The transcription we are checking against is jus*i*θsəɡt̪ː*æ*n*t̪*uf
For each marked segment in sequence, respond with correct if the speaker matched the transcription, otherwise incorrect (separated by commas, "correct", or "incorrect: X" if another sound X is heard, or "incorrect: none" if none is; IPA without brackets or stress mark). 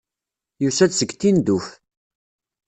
incorrect: æ, incorrect: i, incorrect: d̪